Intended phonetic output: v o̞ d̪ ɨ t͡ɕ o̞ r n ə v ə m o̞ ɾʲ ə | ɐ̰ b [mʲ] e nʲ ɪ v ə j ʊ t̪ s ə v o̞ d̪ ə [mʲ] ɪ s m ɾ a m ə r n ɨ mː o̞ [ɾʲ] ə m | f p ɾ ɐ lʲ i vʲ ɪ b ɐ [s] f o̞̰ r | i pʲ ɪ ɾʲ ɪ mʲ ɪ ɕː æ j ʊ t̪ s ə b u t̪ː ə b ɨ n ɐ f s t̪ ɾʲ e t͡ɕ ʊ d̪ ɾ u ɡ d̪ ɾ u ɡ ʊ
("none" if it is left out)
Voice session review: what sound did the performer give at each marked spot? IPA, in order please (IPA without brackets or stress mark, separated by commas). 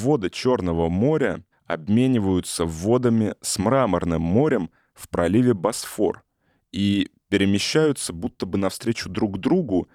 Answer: mʲ, mʲ, ɾʲ, s